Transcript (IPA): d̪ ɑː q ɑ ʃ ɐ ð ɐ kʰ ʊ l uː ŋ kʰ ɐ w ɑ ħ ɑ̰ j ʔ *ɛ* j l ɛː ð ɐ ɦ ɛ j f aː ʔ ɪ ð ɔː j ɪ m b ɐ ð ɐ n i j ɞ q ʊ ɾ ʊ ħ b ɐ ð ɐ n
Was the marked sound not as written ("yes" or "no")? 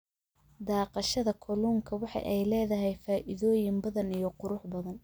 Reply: no